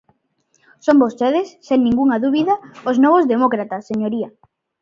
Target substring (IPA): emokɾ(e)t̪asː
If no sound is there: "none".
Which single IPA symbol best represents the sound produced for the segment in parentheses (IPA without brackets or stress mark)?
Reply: a